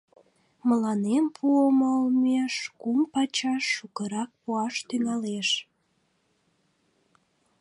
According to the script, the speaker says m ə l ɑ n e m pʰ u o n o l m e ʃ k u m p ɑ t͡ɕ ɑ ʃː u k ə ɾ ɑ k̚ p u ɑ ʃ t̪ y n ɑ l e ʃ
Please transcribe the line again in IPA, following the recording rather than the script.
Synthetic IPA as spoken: m ə l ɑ n e m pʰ u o m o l m e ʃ k u m p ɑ t͡ɕ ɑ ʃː u k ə ɾ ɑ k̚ p u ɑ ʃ t̪ y ŋ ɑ l e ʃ